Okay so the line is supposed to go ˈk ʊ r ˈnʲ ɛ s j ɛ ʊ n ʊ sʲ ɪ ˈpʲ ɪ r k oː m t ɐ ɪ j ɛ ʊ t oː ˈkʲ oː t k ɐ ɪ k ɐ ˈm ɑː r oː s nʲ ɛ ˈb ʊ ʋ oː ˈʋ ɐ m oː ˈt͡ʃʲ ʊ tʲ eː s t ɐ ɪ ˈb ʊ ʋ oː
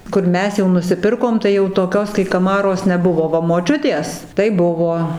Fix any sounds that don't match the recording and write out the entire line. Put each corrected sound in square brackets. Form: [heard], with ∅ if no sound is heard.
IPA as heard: ˈk ʊ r [ˈmʲ] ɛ s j ɛ ʊ n ʊ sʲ ɪ ˈpʲ ɪ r k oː m t ɐ ɪ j ɛ ʊ t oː ˈkʲ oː [s] k ɐ ɪ k ɐ ˈm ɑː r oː s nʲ ɛ ˈb ʊ ʋ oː ˈʋ ɐ m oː ˈt͡ʃʲ ʊ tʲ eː s t ɐ ɪ ˈb ʊ ʋ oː